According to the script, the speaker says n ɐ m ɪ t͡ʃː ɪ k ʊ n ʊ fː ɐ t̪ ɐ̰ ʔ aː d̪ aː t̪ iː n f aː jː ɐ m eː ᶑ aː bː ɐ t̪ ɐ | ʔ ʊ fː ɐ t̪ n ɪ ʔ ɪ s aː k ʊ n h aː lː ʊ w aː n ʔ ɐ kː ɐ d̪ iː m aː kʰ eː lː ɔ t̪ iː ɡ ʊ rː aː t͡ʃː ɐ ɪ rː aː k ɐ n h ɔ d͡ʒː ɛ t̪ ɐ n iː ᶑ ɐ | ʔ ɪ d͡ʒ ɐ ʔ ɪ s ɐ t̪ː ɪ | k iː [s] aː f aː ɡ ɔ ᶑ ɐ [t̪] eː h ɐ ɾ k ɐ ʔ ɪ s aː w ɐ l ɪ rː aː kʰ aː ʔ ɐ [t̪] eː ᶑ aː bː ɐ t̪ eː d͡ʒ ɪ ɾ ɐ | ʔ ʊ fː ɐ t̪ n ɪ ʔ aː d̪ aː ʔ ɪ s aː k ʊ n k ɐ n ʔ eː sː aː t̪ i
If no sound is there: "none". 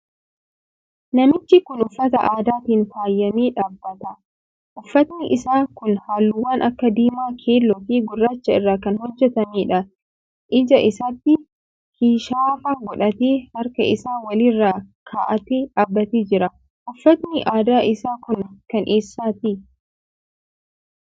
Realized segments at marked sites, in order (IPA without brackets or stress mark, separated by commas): ʃ, t̪, t̪